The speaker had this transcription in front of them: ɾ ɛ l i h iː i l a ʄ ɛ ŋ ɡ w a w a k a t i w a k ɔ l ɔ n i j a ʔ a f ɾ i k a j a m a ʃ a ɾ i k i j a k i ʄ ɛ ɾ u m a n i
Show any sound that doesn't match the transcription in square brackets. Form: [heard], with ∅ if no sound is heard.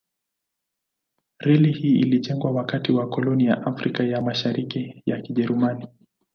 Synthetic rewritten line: ɾ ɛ l i h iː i l [i] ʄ ɛ ŋ ɡ w a w a k a t i w a k ɔ l ɔ n i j a ʔ a f ɾ i k a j a m a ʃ a ɾ i k i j a k i ʄ ɛ ɾ u m a n i